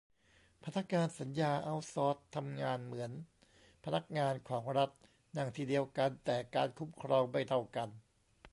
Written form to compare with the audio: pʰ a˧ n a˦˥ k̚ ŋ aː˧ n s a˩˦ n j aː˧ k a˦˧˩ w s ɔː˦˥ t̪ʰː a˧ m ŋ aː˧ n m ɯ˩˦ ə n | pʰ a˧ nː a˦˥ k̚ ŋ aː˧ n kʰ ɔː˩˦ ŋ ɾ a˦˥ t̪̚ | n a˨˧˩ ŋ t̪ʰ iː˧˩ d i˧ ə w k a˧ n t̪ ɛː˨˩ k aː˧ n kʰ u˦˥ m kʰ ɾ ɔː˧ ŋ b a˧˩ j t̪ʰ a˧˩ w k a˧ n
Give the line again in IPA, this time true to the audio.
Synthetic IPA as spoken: pʰ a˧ n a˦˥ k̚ ŋ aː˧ n s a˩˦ n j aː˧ ʔ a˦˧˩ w s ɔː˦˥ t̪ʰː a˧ m ŋ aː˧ n m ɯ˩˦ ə n | pʰ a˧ n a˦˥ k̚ ŋ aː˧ n kʰ ɔː˩˦ ŋ ɾ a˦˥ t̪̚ | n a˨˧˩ ŋ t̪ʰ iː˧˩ d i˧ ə w k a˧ n t̪ ɛː˨˩ k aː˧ n kʰ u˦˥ m kʰ ɾ ɔː˧ ŋ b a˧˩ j t̪ʰ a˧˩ w k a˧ n